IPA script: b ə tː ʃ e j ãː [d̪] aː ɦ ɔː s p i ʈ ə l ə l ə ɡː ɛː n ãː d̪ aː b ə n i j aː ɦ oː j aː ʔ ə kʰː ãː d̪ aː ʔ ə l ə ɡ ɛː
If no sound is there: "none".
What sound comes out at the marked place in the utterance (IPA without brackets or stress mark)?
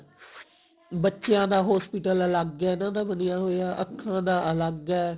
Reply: d̪